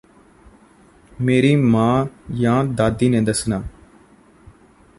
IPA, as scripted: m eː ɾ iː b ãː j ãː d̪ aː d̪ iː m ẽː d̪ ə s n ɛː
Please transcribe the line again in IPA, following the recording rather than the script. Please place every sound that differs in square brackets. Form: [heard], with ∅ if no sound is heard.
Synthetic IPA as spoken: m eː ɾ iː [m] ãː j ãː d̪ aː d̪ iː [n] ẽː d̪ ə s n [aː]